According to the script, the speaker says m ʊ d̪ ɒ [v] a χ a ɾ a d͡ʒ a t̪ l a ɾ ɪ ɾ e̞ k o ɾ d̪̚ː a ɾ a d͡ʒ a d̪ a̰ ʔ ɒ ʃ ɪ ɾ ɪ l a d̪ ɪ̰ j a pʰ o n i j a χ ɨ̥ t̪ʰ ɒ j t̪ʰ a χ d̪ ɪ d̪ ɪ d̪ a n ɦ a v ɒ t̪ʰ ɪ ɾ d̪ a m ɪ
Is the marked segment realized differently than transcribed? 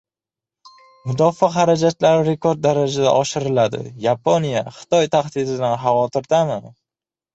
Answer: yes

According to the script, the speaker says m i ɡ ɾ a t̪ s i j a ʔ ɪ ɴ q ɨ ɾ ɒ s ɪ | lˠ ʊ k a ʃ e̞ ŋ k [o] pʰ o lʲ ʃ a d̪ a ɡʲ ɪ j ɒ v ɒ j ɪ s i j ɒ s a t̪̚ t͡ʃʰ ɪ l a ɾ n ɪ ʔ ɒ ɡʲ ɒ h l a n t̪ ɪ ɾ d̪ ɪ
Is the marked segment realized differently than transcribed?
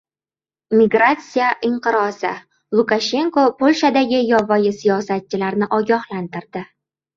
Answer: no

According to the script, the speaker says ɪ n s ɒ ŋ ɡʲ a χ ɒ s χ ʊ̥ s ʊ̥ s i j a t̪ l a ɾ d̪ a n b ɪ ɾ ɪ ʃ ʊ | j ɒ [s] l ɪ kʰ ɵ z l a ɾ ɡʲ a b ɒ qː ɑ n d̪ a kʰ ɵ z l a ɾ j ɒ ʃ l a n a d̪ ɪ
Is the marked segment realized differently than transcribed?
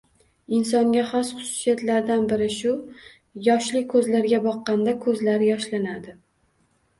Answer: yes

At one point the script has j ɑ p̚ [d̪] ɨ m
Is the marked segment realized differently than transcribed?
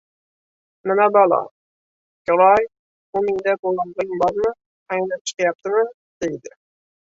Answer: yes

